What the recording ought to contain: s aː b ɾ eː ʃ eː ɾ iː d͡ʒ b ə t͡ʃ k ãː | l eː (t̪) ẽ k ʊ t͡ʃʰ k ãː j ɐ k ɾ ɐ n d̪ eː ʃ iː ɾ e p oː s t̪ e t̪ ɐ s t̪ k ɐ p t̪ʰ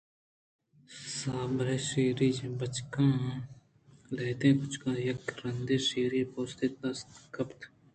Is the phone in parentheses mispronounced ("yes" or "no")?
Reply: no